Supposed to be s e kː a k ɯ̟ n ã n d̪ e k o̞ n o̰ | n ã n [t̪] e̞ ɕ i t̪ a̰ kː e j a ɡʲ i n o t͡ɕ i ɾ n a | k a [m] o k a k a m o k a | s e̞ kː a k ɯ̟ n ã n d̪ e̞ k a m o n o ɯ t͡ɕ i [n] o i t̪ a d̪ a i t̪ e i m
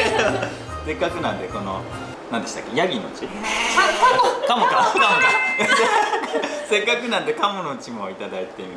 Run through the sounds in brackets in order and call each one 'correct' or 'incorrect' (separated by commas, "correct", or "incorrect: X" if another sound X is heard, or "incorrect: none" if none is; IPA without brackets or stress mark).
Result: incorrect: d̪, correct, incorrect: m